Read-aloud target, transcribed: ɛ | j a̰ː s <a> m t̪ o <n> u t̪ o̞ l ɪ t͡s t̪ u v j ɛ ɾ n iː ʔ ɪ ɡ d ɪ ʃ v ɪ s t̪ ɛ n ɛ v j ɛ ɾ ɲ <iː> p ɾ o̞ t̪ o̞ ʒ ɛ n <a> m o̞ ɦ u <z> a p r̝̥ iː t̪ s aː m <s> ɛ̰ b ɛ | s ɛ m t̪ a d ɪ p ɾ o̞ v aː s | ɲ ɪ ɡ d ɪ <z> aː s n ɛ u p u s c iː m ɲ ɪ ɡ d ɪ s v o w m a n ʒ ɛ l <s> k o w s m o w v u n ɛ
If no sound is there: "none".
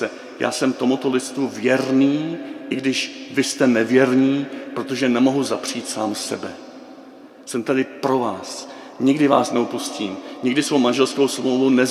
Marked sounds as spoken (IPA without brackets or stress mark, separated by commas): ɛ, m, iː, ɛ, z, s, v, s